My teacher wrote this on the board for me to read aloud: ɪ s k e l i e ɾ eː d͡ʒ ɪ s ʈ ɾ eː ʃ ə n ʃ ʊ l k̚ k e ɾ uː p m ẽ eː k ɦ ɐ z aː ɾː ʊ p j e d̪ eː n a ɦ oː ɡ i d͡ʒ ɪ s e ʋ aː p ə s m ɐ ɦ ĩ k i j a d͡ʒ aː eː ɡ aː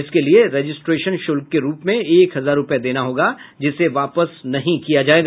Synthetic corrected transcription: ɪ s k e l i e ɾ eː d͡ʒ ɪ s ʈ ɾ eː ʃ ə n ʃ ʊ l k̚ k e ɾ uː p m ẽ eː k ɦ ɐ z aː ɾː ʊ p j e d̪ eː n a ɦ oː ɡ a d͡ʒ ɪ s e ʋ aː p ə s n ɐ ɦ ĩ k i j a d͡ʒ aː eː ɡ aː